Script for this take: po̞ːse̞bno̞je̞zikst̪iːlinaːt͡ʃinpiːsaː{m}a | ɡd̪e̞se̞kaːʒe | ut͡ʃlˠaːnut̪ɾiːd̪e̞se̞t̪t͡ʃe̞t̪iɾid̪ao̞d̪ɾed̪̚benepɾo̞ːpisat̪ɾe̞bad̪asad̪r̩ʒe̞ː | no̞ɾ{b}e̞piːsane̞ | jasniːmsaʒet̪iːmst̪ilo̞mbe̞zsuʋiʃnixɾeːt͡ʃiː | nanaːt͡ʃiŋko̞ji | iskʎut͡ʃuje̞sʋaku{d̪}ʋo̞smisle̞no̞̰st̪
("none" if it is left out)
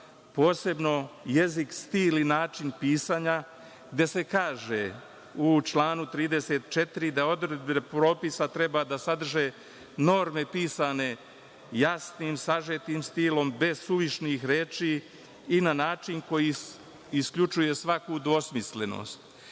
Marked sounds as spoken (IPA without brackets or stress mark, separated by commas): ɲ, m, d̪